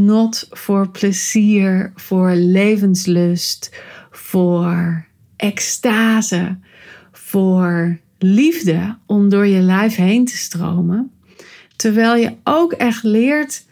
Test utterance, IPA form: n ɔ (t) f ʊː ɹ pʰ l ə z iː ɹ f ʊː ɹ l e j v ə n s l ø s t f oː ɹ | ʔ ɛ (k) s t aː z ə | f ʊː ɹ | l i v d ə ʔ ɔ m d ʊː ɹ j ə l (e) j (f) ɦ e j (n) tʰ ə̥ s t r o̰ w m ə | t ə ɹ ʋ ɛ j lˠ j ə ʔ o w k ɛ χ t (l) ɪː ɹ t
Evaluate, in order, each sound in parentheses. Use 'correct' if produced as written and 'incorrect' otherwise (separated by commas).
correct, correct, incorrect, correct, correct, correct